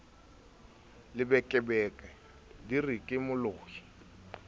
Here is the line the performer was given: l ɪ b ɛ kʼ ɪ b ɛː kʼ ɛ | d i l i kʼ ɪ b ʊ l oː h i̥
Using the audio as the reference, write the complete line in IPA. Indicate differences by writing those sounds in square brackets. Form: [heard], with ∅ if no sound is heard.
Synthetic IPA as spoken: l ɪ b ɛ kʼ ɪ b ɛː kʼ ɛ | d i [r] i kʼ ɪ [m] ʊ l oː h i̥